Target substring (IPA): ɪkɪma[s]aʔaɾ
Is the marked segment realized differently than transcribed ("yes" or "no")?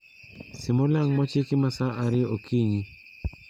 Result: no